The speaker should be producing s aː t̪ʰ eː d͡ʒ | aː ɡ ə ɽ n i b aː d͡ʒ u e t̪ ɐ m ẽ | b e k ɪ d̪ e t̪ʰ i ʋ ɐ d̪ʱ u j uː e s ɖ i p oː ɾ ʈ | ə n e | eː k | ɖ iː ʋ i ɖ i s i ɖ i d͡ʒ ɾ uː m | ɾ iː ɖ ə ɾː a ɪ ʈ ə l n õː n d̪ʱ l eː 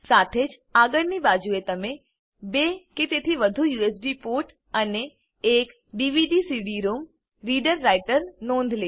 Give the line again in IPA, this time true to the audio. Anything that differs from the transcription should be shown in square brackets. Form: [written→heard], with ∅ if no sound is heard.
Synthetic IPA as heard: s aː t̪ʰ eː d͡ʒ | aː ɡ ə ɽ n i b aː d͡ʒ u e t̪ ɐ m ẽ | b e k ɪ [d̪→t̪] e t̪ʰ i ʋ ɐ d̪ʱ u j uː e s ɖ i p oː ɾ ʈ | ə n e | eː k | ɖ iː ʋ i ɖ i s i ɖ i [d͡ʒ→∅] ɾ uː m | ɾ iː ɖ ə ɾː a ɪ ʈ ə [l→ɾ] n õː n d̪ʱ l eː